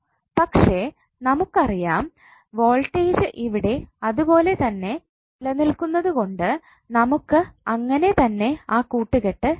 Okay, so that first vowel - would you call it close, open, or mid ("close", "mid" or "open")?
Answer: open